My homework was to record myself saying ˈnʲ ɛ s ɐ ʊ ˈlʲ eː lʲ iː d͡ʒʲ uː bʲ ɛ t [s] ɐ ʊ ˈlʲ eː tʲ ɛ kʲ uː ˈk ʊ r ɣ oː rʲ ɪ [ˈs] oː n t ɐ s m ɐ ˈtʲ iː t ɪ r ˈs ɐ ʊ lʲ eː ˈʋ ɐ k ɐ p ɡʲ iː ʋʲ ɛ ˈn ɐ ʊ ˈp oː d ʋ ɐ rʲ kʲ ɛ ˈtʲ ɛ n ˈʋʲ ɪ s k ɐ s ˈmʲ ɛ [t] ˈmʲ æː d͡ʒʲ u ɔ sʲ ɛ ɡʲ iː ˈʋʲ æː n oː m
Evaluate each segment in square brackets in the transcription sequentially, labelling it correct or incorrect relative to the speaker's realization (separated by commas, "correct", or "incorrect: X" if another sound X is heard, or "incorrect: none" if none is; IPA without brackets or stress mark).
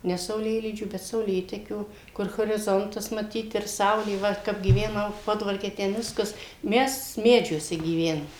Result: correct, incorrect: z, incorrect: s